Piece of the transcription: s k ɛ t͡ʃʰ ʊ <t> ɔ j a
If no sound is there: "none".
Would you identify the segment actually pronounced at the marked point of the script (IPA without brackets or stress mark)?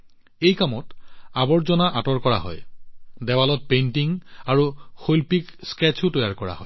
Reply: t